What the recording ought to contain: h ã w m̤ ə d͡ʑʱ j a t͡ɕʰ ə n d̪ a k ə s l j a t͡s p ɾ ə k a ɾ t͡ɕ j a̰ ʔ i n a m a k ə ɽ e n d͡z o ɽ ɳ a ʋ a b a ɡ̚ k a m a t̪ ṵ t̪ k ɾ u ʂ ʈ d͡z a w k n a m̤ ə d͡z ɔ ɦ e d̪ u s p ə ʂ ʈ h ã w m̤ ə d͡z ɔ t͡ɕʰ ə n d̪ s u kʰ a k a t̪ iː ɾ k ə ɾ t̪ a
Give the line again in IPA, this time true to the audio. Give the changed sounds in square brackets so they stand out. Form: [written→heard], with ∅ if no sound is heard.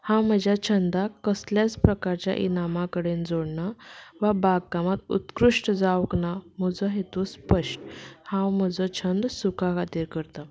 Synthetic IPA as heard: h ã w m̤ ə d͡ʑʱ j a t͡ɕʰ ə n d̪ a k ə s l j a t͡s p ɾ ə k a ɾ t͡ɕ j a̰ ʔ i n a m a k ə ɽ e n d͡z o ɽ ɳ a ʋ a b a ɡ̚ k a m a t̪ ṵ t̪ k ɾ u ʂ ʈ d͡z a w k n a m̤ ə d͡z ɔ ɦ e [d̪→t̪] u s p ə ʂ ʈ h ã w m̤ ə d͡z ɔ t͡ɕʰ ə n d̪ s u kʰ a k a t̪ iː ɾ k ə ɾ t̪ a